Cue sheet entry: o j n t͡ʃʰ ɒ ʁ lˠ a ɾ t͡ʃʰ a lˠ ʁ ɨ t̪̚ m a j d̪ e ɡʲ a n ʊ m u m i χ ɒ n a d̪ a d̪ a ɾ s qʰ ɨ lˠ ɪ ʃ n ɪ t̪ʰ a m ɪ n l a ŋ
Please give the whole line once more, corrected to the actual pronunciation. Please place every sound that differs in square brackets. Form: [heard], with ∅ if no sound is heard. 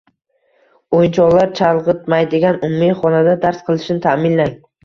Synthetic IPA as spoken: o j n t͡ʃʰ ɒ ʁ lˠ a ɾ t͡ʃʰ a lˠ ʁ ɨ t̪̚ m a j d̪ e ɡʲ a n ʊ m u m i χ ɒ n a d̪ a d̪ a ɾ s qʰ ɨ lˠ ɪ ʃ n ɪ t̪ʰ a m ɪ n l a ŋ